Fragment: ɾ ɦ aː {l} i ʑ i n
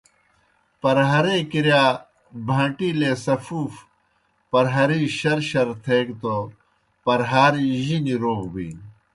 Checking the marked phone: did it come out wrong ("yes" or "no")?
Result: yes